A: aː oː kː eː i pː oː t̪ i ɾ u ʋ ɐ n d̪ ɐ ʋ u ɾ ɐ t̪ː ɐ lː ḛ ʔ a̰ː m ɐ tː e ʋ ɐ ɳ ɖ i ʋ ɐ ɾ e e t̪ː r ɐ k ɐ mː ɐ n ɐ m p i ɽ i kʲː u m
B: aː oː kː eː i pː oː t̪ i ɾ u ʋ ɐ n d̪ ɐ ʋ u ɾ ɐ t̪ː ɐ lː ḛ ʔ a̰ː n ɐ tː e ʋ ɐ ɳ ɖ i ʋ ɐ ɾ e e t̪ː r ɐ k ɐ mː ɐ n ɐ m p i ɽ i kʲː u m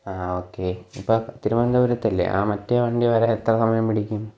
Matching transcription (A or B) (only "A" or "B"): A